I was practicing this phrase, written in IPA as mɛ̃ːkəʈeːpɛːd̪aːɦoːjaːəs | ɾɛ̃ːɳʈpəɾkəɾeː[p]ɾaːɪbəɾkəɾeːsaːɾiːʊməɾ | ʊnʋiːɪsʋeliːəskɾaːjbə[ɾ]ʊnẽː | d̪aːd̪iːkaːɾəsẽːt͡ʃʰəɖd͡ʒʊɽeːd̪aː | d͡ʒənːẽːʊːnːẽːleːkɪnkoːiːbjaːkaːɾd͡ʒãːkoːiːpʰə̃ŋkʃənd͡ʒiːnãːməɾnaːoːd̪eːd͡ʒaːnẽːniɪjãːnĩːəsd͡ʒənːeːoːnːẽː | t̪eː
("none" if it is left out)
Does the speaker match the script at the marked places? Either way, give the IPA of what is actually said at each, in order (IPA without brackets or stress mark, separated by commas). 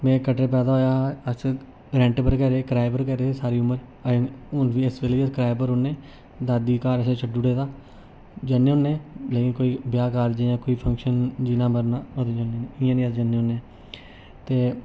k, ɾ